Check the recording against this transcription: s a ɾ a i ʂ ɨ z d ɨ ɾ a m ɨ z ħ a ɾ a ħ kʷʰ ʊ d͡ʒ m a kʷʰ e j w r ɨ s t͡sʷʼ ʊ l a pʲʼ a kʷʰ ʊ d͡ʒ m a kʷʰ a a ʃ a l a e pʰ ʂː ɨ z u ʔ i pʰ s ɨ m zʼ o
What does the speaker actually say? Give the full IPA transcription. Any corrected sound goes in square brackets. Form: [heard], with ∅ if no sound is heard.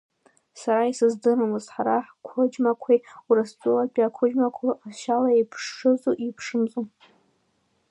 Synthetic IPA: s a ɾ a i [s] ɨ z d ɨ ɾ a m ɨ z ħ a ɾ a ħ kʷʰ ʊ d͡ʒ m a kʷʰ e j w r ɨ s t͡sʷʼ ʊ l a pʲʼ a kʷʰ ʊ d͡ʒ m a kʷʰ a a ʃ a l a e pʰ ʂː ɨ z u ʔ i pʰ [ʂ] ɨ m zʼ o